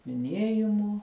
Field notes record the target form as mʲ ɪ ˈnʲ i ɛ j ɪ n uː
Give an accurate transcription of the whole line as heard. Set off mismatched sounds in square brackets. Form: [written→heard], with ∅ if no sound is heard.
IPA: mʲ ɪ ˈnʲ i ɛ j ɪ [n→m] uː